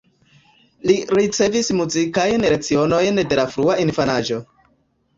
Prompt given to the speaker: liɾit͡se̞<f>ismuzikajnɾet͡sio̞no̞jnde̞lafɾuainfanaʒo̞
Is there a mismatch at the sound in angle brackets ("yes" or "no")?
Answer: yes